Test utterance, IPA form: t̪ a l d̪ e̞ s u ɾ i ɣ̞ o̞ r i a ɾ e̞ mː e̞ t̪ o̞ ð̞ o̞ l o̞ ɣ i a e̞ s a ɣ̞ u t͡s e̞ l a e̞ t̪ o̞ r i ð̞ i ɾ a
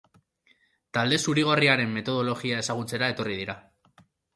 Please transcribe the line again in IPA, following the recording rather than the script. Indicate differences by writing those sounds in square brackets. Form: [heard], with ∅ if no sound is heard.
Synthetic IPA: t̪ a l d̪ e̞ s u ɾ i ɣ̞ o̞ r i a ɾ e̞ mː e̞ t̪ o̞ ð̞ o̞ l o̞ ɣ i a e̞ s a ɣ̞ u t͡s e̞ [ɾ] a e̞ t̪ o̞ r i ð̞ i ɾ a